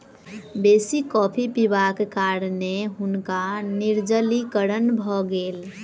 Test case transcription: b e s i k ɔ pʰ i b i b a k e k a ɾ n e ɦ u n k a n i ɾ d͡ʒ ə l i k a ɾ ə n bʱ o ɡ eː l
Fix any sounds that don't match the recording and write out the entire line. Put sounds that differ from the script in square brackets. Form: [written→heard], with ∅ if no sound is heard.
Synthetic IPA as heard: b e s i k ɔ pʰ i [b→p] i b a k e k a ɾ n e ɦ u n k a n i ɾ d͡ʒ ə l i k [a→ə] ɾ ə n bʱ [o→ɔ] ɡ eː l